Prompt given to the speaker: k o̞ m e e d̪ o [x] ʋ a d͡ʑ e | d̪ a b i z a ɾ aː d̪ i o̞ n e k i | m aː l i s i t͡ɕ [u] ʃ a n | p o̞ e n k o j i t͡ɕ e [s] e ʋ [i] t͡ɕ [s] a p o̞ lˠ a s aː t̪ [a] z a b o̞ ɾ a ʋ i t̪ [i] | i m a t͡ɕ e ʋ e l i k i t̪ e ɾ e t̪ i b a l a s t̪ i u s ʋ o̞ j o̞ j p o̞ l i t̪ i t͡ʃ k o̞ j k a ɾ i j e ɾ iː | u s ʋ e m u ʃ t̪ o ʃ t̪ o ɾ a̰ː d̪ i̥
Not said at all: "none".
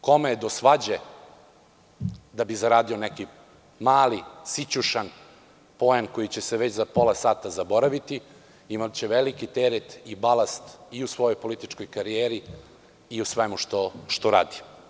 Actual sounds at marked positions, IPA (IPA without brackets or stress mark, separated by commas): s, u, s, e, z, a, i